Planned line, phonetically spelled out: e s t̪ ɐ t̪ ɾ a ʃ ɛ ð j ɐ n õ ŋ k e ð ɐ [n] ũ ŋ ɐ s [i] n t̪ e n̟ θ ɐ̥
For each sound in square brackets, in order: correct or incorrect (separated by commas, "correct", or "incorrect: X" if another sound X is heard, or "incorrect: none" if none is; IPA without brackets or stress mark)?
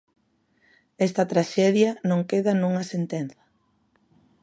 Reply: correct, incorrect: e